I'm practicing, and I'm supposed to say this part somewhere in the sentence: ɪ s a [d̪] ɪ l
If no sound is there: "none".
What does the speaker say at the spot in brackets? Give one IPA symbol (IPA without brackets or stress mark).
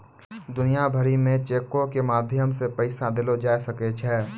d̪